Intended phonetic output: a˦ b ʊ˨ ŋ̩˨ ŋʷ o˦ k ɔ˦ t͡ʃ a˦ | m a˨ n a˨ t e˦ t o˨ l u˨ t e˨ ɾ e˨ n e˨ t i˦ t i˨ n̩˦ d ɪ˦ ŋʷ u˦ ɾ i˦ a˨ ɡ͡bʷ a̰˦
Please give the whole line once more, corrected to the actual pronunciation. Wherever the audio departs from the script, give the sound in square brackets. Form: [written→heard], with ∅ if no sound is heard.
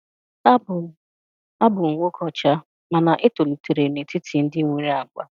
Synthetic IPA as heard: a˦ b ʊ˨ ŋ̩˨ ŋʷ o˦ k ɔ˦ t͡ʃ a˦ | m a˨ n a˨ [t→ʔ] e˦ t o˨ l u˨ t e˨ ɾ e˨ n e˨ t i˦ t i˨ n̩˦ d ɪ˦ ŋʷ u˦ ɾ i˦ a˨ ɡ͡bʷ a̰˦